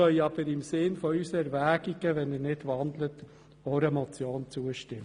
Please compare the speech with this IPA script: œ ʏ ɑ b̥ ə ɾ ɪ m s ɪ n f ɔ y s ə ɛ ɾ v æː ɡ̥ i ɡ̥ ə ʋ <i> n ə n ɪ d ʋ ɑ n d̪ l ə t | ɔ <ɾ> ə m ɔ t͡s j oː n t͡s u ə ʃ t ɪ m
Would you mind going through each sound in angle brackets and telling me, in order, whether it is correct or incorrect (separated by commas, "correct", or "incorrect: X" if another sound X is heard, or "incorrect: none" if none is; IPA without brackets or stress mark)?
incorrect: ɛ, correct